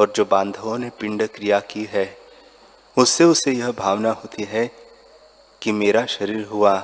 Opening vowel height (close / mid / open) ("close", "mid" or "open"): mid